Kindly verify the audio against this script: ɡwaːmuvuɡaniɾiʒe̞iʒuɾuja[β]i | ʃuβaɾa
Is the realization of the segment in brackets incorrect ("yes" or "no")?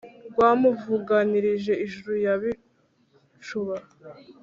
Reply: no